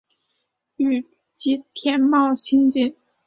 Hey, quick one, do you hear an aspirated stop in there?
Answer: yes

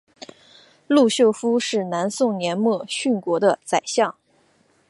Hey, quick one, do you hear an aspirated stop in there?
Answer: no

